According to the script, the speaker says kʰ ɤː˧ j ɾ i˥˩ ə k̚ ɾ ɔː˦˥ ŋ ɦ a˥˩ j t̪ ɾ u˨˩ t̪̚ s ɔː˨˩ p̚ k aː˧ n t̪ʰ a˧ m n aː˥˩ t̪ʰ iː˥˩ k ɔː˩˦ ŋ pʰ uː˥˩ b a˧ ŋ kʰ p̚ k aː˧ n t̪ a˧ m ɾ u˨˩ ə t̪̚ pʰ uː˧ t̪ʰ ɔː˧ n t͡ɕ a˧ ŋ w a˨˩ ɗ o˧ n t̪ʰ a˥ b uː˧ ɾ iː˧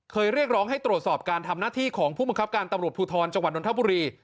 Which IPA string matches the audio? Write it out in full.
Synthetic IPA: kʰ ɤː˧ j ɾ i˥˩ ə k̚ ɾ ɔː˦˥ ŋ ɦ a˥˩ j t̪ ɾ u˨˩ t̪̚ s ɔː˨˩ p̚ k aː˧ n t̪ʰ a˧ m n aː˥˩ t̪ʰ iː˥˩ kʰ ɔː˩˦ ŋ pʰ uː˥˩ b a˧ ŋ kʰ p̚ k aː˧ n t̪ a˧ m ɾ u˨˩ ə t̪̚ pʰ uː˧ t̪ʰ ɔː˧ n t͡ɕ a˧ ŋ w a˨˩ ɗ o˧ n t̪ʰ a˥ b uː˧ ɾ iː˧

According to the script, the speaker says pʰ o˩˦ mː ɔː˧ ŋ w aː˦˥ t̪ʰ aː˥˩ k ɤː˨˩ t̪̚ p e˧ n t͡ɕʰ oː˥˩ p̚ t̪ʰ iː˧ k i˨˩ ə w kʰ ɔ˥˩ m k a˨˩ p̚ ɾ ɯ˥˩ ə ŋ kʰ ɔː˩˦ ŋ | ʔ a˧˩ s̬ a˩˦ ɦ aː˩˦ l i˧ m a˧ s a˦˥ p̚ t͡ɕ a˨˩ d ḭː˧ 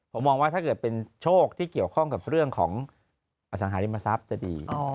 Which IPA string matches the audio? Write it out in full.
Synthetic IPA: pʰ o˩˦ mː ɔː˧ ŋ w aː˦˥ t̪ʰ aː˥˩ k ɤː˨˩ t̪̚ p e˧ n t͡ɕʰ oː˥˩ k̚ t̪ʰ iː˥˩ k i˨˩ ə w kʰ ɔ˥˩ ŋ k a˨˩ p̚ ɾ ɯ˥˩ ə ŋ kʰ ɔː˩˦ ŋ | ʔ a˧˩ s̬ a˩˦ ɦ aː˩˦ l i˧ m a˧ s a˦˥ p̚ t͡ɕ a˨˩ d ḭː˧

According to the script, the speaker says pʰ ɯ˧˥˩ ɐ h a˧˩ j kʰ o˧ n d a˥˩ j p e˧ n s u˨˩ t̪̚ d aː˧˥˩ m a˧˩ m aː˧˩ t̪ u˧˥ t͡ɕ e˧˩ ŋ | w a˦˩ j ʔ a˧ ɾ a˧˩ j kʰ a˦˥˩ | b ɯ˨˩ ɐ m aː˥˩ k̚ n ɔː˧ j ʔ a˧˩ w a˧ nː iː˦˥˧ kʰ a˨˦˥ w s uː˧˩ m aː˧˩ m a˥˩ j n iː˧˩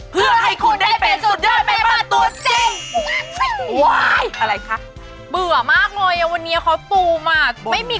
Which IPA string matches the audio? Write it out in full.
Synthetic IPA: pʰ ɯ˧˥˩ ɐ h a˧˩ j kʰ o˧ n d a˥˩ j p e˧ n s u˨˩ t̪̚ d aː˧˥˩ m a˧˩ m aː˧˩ t̪ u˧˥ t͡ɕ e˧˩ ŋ | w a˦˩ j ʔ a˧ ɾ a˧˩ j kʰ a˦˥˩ | b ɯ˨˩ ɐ m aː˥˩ k̚ n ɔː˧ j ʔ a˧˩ w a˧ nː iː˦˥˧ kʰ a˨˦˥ w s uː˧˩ m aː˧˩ m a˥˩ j m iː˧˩

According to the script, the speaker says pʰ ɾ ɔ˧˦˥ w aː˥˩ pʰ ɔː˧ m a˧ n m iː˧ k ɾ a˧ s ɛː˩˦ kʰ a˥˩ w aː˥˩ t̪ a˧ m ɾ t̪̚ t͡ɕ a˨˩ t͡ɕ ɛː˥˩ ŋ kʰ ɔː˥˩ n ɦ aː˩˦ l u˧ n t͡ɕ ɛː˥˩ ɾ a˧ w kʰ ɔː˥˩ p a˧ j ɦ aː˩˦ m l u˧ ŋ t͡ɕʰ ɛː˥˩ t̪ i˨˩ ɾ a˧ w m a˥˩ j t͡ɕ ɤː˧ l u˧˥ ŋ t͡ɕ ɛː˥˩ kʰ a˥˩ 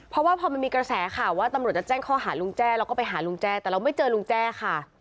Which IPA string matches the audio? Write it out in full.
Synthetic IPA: pʰ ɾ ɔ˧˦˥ w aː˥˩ pʰ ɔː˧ m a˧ n m iː˧ k ɾ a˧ s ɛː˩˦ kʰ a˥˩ w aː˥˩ t̪ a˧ m ɾ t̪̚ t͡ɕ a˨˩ t͡ɕ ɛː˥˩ ŋ kʰ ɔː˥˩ ɦ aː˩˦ l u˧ ŋ t͡ɕ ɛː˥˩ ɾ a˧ w k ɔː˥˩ p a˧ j ɦ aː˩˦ l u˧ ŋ t͡ɕ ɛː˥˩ t̪ ɛ˨˩ ɾ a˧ w m a˥˩ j t͡ɕ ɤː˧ l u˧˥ ŋ t͡ɕ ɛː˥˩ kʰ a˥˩

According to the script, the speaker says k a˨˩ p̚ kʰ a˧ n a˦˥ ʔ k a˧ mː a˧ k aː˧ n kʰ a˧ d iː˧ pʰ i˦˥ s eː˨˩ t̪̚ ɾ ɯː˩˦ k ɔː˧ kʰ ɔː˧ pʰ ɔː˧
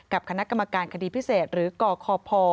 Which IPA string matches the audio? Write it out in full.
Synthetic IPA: k a˨˩ p̚ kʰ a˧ n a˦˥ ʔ k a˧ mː a˧ k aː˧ n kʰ a˧ d iː˧ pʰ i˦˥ s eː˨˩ t̪̚ ɾ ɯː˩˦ k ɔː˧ kʰ ɔː˧ pʰ ɔː˧

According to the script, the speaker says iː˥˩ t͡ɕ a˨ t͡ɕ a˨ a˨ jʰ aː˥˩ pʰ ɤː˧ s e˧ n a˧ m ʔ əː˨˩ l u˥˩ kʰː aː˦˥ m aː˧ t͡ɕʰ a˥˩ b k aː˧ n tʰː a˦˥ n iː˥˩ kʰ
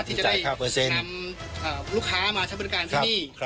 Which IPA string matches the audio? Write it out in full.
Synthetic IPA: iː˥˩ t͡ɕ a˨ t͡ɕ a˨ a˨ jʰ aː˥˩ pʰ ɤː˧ s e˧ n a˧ m ʔ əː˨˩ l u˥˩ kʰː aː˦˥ m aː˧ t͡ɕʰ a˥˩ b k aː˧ n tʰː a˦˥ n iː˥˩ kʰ

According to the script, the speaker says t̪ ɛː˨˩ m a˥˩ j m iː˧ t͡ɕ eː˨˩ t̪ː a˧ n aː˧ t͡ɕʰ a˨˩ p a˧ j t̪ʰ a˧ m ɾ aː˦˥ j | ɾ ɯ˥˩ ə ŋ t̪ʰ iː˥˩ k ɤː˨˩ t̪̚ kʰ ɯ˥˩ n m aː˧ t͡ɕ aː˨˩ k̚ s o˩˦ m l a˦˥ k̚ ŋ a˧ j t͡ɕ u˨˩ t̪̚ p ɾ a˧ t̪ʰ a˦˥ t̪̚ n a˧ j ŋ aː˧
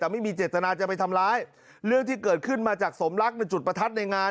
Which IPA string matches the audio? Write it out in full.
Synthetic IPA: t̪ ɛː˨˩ m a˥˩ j m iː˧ t͡ɕ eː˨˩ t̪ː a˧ n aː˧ t͡ɕ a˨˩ p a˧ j t̪ʰ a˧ m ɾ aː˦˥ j | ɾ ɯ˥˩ ə ŋ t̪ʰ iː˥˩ k ɤː˨˩ t̪̚ kʰ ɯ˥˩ n m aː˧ t͡ɕ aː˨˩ k̚ s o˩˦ m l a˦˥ k̚ n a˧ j t͡ɕ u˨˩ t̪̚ p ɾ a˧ t̪ʰ a˦˥ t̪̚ n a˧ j ŋ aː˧

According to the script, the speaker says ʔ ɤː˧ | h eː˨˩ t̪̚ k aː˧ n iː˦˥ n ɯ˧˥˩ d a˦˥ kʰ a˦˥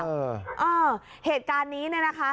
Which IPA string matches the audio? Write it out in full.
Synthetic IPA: ʔ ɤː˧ | h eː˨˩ t̪̚ k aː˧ nː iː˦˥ n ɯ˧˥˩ n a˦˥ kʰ a˦˥

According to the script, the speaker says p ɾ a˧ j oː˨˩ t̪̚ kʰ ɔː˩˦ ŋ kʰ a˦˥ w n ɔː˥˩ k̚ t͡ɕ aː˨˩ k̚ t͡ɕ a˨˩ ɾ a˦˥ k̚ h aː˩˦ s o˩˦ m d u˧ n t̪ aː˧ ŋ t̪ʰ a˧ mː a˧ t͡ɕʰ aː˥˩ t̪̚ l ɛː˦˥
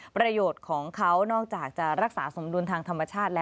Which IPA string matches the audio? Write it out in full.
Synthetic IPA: p ɾ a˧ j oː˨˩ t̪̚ kʰ ɔː˩˦ ŋ kʰ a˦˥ w n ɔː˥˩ k̚ t͡ɕ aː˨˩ k̚ t͡ɕ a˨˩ ɾ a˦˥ k̚ s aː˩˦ s o˩˦ m d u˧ n t̪ʰ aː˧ ŋ t̪ʰ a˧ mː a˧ t͡ɕʰ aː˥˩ t̪̚ l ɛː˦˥

